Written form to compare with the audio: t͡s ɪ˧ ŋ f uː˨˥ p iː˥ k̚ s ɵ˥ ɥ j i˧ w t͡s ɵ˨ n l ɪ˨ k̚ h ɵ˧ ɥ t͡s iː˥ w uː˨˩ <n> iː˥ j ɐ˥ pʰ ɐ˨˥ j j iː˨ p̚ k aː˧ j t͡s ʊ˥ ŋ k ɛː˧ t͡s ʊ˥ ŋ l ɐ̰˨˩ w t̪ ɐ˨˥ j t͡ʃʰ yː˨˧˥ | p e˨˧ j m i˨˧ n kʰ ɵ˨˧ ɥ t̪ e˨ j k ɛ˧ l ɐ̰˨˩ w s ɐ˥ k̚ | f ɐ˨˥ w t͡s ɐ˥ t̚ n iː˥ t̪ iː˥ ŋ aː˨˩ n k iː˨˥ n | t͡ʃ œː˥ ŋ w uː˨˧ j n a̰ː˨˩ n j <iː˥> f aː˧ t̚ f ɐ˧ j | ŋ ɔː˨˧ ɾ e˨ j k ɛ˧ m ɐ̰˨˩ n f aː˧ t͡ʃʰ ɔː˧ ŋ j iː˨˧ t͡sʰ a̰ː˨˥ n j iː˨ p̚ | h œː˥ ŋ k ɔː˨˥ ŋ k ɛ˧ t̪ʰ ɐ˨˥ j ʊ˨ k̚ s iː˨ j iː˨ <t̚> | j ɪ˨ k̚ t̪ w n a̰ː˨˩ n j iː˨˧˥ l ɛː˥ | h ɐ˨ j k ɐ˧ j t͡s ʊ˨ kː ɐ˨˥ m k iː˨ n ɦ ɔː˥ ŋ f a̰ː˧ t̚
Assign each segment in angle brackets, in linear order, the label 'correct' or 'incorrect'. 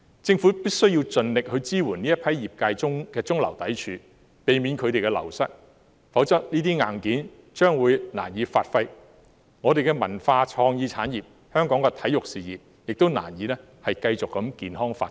correct, incorrect, incorrect

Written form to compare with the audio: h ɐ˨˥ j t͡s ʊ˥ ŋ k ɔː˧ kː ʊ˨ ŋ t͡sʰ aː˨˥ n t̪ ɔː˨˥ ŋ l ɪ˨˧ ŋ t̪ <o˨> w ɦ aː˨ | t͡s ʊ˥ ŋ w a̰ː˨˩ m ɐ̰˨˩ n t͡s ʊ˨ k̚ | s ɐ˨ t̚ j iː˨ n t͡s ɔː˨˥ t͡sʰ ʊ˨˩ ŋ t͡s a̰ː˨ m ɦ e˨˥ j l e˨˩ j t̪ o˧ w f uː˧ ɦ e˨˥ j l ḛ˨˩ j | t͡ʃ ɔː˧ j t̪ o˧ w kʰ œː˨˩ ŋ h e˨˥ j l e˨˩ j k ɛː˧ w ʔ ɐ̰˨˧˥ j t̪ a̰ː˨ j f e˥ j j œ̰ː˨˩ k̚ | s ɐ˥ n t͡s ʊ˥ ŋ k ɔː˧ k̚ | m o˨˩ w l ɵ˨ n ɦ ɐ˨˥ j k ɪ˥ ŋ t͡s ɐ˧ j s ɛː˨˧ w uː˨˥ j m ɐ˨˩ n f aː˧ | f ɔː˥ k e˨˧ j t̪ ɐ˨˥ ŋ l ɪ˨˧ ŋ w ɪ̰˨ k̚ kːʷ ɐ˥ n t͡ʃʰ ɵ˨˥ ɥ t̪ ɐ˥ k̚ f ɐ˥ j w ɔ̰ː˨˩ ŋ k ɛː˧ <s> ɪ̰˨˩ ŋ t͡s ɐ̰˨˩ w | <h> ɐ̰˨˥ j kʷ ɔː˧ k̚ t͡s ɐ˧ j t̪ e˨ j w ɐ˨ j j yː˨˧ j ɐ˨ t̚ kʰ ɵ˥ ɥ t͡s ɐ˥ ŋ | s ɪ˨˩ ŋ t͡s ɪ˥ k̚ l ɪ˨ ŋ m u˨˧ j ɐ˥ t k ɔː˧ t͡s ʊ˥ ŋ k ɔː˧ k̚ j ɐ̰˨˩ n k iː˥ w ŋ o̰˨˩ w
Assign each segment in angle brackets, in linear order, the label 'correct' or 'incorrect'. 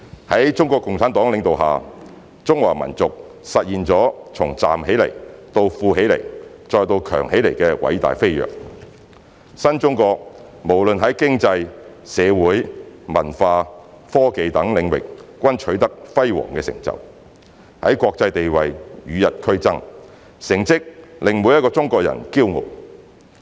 correct, correct, correct

